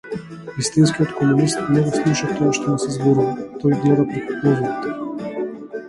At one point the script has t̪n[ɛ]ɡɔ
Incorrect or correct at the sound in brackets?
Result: correct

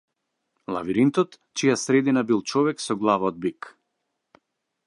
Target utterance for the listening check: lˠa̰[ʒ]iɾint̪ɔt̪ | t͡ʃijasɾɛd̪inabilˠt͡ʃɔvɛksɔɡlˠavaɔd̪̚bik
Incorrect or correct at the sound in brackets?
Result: incorrect: v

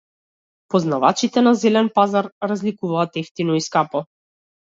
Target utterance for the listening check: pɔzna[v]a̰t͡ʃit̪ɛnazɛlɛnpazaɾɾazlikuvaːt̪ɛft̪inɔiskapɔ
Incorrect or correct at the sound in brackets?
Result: correct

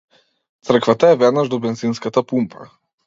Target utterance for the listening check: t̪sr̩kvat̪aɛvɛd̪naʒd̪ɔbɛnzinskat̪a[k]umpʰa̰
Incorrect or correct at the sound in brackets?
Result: incorrect: p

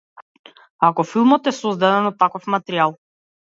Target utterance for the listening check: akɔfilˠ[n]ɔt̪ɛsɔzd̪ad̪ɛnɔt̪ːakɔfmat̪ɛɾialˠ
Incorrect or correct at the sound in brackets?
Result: incorrect: m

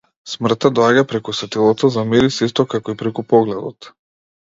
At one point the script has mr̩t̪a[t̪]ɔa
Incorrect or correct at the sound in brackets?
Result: incorrect: d̪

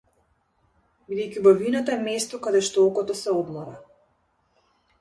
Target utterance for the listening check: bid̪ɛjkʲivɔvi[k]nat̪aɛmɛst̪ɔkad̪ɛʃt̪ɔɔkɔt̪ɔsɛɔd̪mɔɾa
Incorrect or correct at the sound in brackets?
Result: incorrect: none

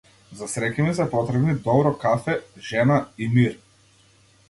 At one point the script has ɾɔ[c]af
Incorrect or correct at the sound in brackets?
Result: incorrect: k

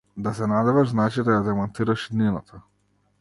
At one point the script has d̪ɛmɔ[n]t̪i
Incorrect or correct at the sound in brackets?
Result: correct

